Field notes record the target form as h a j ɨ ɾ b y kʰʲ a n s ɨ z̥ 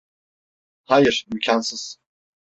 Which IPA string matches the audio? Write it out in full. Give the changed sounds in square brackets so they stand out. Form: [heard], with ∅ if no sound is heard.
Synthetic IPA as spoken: h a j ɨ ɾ [m] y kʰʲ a n s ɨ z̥